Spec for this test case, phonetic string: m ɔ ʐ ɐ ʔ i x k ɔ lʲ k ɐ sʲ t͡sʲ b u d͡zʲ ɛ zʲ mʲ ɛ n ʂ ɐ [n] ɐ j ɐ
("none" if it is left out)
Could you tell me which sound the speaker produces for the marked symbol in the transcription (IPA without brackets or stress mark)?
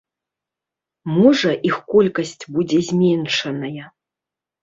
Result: n